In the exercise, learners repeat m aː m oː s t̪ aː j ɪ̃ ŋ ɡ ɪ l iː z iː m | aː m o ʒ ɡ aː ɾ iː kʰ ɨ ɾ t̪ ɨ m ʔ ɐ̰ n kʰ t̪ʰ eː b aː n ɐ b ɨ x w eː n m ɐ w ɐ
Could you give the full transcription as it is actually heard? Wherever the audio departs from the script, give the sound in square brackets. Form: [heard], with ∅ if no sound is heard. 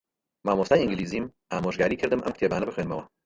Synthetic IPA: m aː m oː s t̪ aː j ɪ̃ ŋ ɡ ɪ l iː z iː m | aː m o ʒ ɡ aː ɾ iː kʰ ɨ ɾ [d̪] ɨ m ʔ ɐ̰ [m] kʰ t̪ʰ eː b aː n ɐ b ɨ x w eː n m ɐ w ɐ

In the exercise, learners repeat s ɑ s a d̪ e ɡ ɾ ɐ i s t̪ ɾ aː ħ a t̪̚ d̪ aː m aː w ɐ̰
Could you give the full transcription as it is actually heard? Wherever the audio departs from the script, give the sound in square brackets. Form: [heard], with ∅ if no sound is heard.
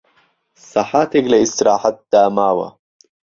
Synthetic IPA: s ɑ [ħ] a [t̪] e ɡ [l] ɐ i s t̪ ɾ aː ħ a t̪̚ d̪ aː m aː w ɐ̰

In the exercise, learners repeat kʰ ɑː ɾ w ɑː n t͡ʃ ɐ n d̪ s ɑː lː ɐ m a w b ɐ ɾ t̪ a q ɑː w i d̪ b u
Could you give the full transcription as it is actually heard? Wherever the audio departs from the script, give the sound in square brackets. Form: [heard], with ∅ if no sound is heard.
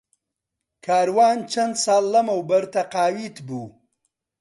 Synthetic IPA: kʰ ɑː ɾ w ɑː n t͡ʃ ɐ n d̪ s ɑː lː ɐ m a w b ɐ ɾ t̪ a q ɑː w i [t̪] b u

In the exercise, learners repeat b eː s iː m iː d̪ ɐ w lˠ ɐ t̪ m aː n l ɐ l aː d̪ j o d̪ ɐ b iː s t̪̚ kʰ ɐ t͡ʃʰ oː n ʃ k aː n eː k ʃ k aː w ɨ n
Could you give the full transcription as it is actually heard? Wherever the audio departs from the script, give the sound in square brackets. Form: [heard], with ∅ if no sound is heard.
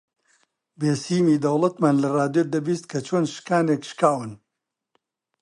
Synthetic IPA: b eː s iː m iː d̪ ɐ w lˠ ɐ t̪ m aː n l ɐ [r] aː d̪ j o d̪ ɐ b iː s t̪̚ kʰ ɐ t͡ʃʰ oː n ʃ k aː n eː k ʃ k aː w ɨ n

